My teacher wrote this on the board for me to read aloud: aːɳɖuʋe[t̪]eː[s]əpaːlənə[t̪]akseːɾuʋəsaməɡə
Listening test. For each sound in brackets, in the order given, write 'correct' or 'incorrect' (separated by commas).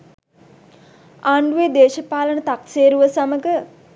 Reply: incorrect, incorrect, correct